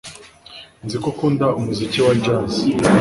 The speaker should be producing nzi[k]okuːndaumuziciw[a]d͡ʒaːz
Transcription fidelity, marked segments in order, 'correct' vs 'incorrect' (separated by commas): correct, correct